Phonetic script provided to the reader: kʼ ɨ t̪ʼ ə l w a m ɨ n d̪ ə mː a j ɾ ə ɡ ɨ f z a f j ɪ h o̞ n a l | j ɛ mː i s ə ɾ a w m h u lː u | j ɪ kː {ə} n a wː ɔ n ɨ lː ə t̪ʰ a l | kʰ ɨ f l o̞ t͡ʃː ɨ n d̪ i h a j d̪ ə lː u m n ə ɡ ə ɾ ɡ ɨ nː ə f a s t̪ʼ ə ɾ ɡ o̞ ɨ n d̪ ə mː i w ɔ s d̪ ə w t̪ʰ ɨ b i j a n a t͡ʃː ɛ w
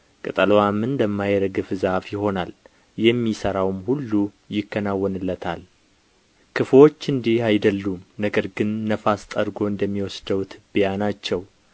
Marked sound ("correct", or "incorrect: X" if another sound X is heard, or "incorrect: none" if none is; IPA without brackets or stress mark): correct